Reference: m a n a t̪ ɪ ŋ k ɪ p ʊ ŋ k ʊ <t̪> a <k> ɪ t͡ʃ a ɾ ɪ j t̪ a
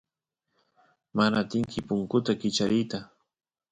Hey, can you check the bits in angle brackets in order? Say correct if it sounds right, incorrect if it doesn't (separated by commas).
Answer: correct, correct